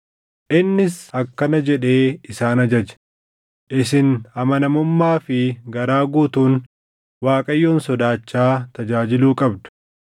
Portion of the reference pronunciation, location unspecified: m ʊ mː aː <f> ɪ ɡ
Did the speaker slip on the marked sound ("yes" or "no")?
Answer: no